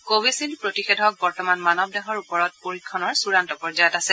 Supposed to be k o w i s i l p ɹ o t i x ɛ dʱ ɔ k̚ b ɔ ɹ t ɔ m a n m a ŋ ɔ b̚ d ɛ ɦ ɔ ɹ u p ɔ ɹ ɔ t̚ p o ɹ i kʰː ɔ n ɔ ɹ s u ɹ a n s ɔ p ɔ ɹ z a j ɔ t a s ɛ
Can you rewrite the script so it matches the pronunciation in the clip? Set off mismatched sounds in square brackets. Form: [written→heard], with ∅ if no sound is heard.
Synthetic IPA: k o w i s i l p ɹ o t i x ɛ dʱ ɔ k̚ b ɔ ɹ t ɔ m a n m a [ŋ→n] ɔ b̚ d ɛ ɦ ɔ ɹ u p ɔ ɹ ɔ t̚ p o ɹ i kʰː ɔ n ɔ ɹ s u ɹ a n [s→t] ɔ p ɔ ɹ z a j ɔ t a s ɛ